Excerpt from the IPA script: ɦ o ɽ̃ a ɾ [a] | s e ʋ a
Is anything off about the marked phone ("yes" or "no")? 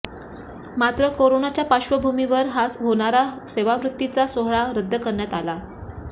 no